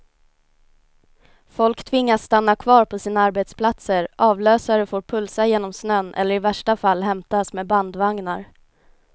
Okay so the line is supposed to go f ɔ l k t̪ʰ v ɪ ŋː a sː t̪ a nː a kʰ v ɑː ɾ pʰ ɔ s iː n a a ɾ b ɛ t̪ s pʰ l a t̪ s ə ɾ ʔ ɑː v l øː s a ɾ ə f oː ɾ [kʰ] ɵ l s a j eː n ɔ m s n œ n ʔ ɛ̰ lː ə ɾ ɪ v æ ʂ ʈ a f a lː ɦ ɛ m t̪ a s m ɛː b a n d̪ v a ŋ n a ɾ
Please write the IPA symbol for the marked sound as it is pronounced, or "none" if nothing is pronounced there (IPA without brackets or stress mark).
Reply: pʰ